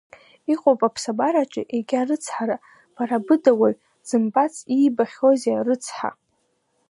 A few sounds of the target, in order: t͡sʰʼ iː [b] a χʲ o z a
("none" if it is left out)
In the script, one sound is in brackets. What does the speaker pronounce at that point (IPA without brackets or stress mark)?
b